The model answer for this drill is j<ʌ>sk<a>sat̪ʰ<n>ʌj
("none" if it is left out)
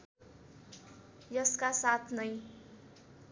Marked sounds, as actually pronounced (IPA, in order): ʌ, a, n

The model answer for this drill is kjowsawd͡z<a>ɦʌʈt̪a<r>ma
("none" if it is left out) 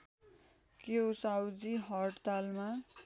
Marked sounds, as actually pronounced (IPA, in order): i, l

